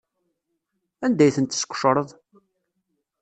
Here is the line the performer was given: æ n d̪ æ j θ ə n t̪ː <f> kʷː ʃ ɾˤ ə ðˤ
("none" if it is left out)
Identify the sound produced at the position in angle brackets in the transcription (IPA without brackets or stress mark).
s